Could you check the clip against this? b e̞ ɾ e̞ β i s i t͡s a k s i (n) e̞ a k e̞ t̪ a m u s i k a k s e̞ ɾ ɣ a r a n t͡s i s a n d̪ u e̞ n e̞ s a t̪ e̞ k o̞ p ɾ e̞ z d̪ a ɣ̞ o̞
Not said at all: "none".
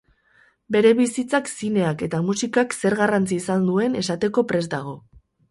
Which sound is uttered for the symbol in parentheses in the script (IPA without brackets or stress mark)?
n